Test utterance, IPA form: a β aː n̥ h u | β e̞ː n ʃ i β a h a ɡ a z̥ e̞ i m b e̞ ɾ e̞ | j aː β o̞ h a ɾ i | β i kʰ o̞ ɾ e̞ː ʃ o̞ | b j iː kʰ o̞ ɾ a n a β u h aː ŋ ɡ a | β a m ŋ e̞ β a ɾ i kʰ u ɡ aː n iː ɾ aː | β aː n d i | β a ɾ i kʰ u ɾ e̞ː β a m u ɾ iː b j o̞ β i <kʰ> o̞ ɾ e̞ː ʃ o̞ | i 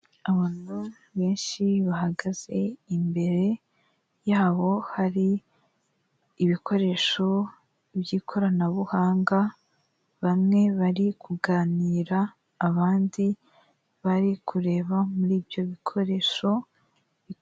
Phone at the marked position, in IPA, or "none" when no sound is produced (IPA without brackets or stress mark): kʰ